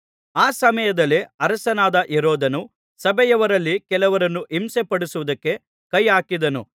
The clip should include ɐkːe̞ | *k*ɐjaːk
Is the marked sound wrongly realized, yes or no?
no